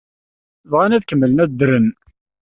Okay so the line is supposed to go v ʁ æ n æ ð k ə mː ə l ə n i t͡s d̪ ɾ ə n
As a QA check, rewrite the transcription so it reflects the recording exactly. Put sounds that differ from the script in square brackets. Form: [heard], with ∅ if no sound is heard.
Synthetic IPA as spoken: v ʁ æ n æ ð k ə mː ə l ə n [æ] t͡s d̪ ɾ ə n